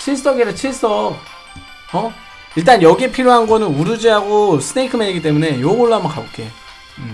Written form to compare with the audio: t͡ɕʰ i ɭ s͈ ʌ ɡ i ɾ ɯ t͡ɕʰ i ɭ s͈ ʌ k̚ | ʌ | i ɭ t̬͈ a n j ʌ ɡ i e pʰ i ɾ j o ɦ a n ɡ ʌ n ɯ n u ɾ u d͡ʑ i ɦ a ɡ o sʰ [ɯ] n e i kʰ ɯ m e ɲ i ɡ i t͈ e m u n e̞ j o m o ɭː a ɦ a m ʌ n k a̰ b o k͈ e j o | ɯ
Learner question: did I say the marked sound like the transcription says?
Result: yes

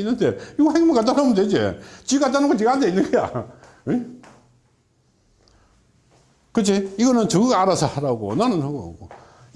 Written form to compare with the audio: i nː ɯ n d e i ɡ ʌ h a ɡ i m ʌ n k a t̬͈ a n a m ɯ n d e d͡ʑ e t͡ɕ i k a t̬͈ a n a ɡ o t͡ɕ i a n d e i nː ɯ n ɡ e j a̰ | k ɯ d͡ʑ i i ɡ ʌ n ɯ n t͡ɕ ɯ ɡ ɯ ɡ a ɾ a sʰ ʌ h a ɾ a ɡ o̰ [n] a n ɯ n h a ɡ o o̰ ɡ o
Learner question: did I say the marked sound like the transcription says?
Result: yes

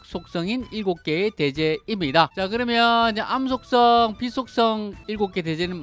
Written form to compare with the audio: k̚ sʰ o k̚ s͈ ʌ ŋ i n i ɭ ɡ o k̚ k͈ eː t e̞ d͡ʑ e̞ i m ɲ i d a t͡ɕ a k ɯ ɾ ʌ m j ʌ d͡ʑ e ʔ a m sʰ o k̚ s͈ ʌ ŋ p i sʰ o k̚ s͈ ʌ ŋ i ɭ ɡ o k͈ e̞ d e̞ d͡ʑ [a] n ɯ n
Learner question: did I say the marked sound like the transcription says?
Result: no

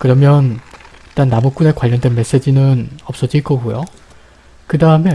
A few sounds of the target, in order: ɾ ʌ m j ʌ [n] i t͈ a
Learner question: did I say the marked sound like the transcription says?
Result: yes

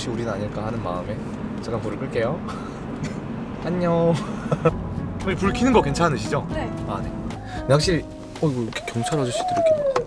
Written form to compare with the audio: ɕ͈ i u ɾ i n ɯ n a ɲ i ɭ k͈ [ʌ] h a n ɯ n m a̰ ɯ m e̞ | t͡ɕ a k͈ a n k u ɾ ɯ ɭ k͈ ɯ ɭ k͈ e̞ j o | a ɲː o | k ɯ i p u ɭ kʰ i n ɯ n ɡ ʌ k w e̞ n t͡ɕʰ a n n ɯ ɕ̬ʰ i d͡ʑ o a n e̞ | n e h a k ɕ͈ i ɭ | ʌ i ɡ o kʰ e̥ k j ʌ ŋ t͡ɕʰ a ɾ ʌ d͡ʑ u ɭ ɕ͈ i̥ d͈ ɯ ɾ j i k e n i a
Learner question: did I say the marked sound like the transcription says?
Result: no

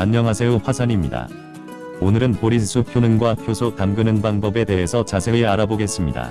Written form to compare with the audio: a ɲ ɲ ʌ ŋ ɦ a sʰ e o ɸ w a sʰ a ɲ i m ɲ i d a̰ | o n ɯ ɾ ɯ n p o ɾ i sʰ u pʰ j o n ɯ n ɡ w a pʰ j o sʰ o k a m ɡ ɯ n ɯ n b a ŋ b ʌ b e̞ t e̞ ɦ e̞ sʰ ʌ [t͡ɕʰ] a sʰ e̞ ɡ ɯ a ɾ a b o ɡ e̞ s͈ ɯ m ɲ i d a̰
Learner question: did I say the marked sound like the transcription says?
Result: no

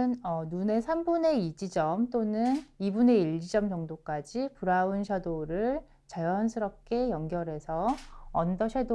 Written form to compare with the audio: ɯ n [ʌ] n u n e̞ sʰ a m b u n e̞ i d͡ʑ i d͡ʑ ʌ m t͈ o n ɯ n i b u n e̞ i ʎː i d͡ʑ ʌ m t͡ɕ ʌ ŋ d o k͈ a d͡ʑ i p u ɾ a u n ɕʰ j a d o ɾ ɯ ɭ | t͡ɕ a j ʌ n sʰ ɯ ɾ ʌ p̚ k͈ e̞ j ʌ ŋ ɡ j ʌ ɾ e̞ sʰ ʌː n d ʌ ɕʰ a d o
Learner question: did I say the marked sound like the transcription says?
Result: yes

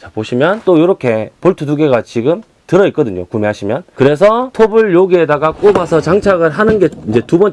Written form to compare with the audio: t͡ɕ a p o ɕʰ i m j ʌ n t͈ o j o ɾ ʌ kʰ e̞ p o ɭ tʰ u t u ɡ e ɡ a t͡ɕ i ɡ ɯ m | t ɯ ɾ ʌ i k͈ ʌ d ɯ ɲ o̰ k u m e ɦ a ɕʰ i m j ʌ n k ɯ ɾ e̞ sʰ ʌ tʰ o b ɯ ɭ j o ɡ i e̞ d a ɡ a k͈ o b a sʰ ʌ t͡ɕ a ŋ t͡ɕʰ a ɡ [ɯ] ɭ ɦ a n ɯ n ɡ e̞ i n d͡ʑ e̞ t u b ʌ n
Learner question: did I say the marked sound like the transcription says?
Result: yes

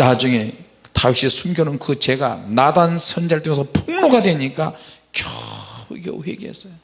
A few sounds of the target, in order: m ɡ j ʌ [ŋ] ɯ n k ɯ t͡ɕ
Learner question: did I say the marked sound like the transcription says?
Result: no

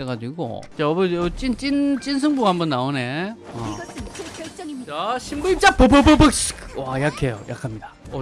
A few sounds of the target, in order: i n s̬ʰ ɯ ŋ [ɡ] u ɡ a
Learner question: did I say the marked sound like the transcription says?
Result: no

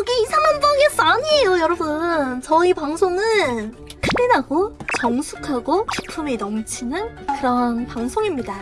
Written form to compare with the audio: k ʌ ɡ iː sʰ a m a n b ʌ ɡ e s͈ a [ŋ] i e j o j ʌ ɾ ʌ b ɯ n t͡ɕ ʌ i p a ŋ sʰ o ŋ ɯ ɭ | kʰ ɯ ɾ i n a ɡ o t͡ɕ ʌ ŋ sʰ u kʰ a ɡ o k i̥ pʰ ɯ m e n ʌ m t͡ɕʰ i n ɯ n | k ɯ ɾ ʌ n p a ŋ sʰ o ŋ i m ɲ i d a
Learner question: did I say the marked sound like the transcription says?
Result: no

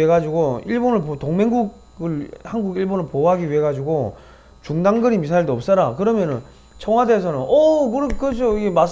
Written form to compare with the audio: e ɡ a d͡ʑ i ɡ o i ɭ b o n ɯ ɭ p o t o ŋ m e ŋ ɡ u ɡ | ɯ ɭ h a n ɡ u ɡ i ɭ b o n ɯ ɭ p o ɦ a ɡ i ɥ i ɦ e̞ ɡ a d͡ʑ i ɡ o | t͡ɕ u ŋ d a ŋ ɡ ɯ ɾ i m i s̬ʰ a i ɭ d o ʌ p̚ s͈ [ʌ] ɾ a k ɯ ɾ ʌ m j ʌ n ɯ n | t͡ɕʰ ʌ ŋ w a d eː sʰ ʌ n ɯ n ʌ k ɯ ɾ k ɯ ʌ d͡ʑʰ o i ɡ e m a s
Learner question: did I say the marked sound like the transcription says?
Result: yes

